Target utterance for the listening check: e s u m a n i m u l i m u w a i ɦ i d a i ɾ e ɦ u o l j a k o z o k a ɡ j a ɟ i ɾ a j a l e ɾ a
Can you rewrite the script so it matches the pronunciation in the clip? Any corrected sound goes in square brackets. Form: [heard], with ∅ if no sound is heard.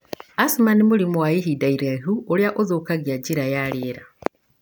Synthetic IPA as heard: [a] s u m a n i m u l i m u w a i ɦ i d a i ɾ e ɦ u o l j a [ʔ] o z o k a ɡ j a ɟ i ɾ a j a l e ɾ a

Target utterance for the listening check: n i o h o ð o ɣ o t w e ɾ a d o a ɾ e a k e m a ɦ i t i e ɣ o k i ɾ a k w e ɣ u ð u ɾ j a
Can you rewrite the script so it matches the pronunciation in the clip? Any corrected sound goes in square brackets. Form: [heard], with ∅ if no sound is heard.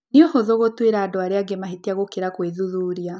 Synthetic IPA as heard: n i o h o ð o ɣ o t w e ɾ a d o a ɾ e a [ɡ] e m a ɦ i t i [a] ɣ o k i ɾ a k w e [ð] u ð u ɾ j a

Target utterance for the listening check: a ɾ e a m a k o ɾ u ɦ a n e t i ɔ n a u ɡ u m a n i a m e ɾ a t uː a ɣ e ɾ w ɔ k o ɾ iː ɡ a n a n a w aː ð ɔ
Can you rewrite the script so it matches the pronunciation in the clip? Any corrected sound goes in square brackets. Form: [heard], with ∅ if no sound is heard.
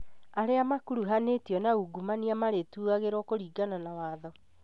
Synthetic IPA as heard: a ɾ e a m a k [u] ɾ u ɦ a n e t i ɔ n a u ɡ u m a n i a m [a] ɾ [e] t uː a ɣ e ɾ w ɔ k o ɾ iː ɡ a n a n a w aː ð ɔ

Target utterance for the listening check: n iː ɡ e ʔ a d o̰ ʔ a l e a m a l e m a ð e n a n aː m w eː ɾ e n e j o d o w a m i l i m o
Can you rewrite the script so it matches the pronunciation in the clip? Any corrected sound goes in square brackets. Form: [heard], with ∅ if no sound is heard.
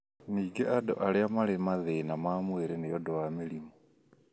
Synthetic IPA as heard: n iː ɡ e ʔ a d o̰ ʔ a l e a m a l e m a ð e n a [m] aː m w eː ɾ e n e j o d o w a m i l i m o

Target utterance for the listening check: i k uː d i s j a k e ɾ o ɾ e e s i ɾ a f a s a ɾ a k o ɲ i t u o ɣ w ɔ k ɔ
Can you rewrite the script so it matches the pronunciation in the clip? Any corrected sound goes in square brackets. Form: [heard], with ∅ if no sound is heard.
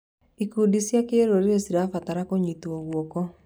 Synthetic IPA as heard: i k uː d i s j a k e ɾ o ɾ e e s i ɾ a f a [t] a ɾ a k o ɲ i t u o ɣ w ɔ k ɔ

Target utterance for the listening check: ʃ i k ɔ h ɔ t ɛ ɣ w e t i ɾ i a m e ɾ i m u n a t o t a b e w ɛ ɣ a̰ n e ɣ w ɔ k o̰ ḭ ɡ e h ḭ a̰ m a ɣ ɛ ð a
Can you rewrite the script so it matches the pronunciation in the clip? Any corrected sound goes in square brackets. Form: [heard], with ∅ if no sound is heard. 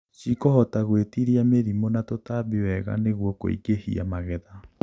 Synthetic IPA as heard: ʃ i k ɔ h ɔ t [a] ɣ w e t i ɾ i a m e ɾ i m [o] n a t o t a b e w ɛ ɣ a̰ n e ɣ w ɔ k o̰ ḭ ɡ e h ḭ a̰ m a ɣ ɛ ð a

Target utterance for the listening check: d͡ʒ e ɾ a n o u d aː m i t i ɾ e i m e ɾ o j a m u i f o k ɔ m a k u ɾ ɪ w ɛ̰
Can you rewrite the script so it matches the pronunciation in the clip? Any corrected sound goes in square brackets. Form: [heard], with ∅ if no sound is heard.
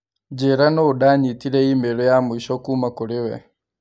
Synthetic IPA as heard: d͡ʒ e ɾ a n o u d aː [ɲ] i t i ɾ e i m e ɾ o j a m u i [ʃ] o k [u] m a k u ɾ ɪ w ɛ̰

